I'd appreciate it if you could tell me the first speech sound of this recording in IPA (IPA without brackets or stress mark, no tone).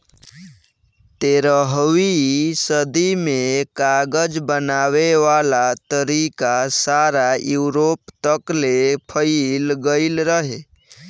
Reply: t̪